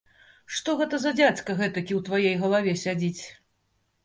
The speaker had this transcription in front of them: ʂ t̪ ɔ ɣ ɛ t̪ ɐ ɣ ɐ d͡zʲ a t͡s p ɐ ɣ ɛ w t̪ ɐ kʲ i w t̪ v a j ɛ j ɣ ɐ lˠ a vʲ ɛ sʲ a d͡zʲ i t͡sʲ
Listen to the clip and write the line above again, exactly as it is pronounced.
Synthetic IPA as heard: ʂ t̪ ɔ ɣ ɛ t̪ ɐ z ɐ d͡zʲ a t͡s k ɐ ɣ ɛ t̪ ɐ kʲ i w t̪ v a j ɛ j ɣ ɐ lˠ a vʲ ɛ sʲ a d͡zʲ i t͡sʲ